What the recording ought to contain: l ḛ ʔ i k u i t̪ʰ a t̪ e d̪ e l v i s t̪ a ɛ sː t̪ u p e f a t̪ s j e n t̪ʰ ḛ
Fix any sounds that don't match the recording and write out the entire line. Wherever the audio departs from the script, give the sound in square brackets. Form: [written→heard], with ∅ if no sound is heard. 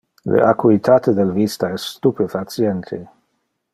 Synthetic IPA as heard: l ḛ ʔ [i→a] k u i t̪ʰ a t̪ e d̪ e l v i s t̪ a ɛ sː t̪ u p e f a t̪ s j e n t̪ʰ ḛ